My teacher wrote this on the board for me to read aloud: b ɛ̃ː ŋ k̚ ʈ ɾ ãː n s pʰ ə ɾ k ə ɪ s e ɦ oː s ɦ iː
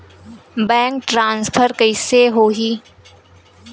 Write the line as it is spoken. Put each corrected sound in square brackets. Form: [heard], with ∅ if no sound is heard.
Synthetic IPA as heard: b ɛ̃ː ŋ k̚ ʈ ɾ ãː n s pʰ ə ɾ k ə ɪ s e ɦ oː [∅] ɦ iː

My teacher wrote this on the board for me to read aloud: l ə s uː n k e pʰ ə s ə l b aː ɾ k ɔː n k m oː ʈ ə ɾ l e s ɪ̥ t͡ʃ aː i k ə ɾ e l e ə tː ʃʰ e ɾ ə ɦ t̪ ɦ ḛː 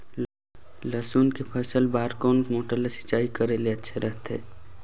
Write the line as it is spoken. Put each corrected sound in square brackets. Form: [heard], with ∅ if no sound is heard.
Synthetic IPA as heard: l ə s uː n k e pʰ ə s ə l b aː ɾ k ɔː n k m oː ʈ ə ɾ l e s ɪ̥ t͡ʃ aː i k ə ɾ e l e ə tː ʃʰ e ɾ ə ɦ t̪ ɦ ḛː

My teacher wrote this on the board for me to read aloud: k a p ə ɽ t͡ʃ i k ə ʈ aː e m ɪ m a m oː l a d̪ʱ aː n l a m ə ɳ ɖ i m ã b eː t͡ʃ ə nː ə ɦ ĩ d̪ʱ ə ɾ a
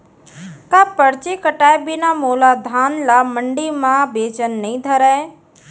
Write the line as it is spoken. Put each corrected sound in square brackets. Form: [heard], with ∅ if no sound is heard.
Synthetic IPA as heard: k a p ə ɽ t͡ʃ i k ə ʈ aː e [b] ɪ [n] a m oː l a d̪ʱ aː n l a m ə ɳ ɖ i m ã b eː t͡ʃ ə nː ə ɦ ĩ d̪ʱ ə ɾ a

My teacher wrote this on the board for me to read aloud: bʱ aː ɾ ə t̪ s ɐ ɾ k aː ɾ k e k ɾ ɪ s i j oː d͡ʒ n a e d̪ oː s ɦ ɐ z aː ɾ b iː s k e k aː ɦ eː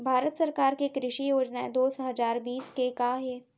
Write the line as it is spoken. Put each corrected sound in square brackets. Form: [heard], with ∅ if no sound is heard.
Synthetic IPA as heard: bʱ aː ɾ ə t̪ s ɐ ɾ k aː ɾ k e k ɾ ɪ [ʃ] i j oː d͡ʒ n a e d̪ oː s ɦ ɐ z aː ɾ b iː s k e k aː ɦ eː

